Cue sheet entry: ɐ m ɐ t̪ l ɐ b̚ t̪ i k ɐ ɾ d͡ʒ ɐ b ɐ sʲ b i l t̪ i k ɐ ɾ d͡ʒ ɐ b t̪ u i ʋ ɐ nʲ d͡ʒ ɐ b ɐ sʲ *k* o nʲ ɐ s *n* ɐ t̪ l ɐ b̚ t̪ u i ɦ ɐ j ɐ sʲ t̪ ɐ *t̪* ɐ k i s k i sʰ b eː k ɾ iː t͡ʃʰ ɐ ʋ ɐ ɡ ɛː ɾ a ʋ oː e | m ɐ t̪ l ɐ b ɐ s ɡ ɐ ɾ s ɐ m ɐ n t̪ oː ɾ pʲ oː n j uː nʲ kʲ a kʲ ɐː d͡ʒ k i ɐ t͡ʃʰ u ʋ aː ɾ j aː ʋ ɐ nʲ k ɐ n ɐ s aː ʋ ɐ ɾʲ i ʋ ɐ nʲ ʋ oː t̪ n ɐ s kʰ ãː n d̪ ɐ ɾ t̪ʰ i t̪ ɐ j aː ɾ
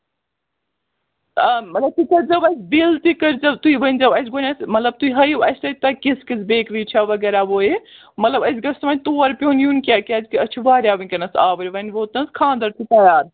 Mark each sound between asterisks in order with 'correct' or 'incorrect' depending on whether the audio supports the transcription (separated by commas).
incorrect, incorrect, correct